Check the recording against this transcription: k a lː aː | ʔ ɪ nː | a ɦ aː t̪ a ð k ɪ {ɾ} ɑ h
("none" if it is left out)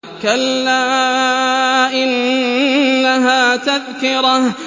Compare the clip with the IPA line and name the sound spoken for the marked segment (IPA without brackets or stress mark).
ɾ